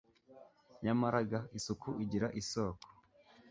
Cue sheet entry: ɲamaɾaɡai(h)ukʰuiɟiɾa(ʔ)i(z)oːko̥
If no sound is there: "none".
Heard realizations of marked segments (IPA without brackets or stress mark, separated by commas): s, ʔ, s